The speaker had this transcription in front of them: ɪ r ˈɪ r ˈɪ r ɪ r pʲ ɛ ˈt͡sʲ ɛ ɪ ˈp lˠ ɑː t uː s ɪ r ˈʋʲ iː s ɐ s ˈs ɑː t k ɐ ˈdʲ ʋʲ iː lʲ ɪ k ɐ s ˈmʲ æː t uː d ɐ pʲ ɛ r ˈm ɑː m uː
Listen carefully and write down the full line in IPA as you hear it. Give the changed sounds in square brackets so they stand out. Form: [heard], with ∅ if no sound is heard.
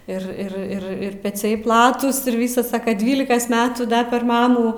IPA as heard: ɪ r ˈɪ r ˈɪ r ɪ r pʲ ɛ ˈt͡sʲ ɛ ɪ ˈp lˠ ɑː t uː s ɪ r ˈʋʲ iː s ɐ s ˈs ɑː [∅] k ɐ ˈdʲ ʋʲ iː lʲ ɪ k ɐ s ˈmʲ æː t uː d ɐ pʲ ɛ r ˈm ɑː m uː